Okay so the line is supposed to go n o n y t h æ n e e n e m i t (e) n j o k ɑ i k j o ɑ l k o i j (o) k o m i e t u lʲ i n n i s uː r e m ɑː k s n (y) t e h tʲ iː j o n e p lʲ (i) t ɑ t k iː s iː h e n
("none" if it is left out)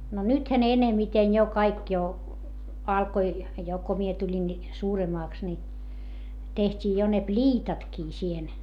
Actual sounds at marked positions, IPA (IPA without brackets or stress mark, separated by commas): e, o, i, iː